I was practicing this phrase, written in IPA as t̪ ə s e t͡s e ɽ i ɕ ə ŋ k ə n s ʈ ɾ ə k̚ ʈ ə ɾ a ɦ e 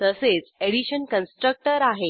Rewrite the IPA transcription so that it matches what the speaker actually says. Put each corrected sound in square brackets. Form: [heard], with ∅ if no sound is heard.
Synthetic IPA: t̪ ə s e t͡s e ɽ i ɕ ə [n] k ə n s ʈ ɾ ə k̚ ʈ ə ɾ a ɦ e